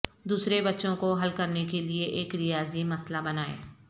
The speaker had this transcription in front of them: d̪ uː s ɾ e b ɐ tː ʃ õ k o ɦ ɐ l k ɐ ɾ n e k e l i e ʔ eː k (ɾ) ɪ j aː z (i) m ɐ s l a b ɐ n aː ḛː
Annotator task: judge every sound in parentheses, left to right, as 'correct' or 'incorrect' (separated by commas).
correct, correct